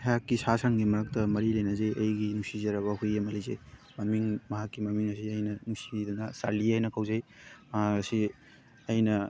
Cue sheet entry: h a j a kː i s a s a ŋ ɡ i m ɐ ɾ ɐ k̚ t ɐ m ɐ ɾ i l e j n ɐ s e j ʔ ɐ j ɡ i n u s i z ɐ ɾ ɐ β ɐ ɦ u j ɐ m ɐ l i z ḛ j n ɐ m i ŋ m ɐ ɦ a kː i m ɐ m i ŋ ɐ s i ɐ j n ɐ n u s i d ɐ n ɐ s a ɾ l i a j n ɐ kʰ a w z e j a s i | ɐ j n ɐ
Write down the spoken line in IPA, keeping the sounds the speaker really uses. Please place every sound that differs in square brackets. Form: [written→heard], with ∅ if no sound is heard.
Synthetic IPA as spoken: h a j a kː i s a s a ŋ ɡ i m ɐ ɾ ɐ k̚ t ɐ m ɐ ɾ i l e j n ɐ [s→z] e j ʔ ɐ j ɡ i n u s i z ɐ ɾ ɐ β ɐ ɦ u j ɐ m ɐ l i z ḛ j [n→m] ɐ m i ŋ m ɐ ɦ a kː i m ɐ m i ŋ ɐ s i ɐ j n ɐ n u s i d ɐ n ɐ s a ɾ l i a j n ɐ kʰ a w z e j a s i | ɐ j n ɐ